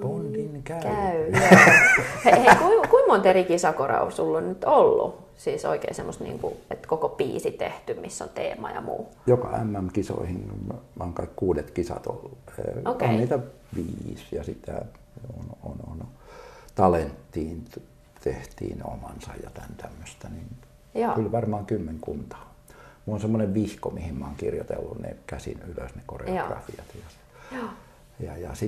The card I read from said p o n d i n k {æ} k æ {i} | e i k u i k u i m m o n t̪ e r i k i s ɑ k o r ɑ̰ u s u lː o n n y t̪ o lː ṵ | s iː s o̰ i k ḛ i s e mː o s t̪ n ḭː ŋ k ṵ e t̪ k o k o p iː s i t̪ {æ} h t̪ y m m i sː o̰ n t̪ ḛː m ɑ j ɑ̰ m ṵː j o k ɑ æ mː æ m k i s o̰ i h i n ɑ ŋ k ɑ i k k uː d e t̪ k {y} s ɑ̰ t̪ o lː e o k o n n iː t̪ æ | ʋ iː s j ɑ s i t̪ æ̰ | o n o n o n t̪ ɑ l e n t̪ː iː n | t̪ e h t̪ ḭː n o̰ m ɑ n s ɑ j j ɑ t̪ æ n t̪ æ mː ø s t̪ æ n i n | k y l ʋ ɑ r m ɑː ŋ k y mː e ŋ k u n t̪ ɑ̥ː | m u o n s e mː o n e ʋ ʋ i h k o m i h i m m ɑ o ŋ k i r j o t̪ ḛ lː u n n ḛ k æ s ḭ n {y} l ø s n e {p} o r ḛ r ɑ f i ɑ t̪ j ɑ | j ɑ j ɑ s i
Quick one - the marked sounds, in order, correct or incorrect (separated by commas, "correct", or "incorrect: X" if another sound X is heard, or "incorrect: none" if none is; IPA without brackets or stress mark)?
correct, incorrect: y, incorrect: e, incorrect: i, correct, incorrect: k